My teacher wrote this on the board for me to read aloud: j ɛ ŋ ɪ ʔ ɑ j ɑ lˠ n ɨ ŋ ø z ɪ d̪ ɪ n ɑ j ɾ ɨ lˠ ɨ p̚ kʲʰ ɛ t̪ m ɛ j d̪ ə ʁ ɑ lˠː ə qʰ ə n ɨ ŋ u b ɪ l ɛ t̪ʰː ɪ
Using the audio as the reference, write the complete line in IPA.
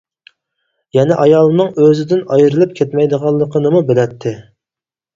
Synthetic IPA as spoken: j ɛ n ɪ ʔ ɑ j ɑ lˠ n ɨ ŋ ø z ɪ d̪ ɪ n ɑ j ɾ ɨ lˠ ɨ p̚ kʲʰ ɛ t̪ m ɛ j d̪ ə ʁ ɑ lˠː ə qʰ ə n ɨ m u b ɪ l ɛ t̪ʰː ɪ

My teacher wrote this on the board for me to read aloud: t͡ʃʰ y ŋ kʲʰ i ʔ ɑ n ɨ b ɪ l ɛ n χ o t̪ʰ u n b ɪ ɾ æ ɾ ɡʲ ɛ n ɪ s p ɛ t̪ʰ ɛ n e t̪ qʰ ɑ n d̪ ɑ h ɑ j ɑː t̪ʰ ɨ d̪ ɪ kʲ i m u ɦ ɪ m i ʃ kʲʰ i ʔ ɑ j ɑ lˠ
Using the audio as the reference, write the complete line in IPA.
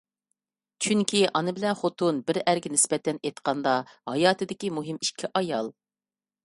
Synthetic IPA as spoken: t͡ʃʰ y ŋ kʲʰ i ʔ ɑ n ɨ b ɪ l ɛ n χ o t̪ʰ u n b ɪ ɾ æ ɾ ɡʲ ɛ n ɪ s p ɛ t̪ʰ ɛ n e t̪ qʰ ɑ n d̪ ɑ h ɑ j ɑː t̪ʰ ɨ d̪ ɪ kʲ i m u ɦ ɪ m i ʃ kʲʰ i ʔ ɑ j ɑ lˠ

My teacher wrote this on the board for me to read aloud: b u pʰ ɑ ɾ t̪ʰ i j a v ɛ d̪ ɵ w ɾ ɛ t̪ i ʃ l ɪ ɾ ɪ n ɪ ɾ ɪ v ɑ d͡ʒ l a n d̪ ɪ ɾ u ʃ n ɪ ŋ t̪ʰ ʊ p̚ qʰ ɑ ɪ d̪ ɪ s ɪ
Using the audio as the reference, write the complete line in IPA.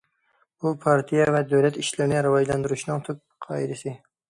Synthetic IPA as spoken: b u pʰ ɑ ɾ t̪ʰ i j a v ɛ d̪ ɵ w l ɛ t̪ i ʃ l ɪ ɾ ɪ n ɪ ɾ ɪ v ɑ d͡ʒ l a n d̪ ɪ ɾ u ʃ n ɪ ŋ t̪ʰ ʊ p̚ qʰ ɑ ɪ d̪ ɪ s ɪ

